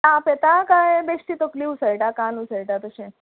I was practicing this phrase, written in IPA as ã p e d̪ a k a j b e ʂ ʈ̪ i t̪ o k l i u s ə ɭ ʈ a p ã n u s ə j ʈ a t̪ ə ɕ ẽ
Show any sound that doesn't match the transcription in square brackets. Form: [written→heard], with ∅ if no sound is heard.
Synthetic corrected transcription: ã p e [d̪→t̪] a k a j b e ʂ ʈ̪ i t̪ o k l i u s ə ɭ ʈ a [p→k] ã n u s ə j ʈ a t̪ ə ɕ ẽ